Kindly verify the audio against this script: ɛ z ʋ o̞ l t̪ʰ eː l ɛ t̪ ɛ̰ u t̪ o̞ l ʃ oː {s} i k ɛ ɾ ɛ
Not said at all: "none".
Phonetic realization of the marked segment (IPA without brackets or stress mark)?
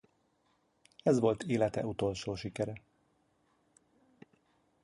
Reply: ʃ